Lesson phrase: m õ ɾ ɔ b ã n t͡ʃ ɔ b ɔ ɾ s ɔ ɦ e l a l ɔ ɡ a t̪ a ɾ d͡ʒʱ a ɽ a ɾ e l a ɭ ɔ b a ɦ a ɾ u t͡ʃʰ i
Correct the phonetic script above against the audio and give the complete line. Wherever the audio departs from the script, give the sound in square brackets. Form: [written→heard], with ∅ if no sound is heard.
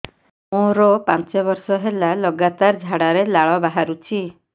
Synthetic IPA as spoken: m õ ɾ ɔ [b→p] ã n t͡ʃ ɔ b ɔ ɾ s ɔ ɦ e l a l ɔ ɡ a t̪ a ɾ d͡ʒʱ a ɽ a ɾ e l a ɭ ɔ b a ɦ a ɾ u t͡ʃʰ i